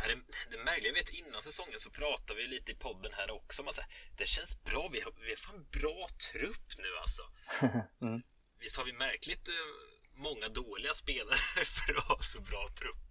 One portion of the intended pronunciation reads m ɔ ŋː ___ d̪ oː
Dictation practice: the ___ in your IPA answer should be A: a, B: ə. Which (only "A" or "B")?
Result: A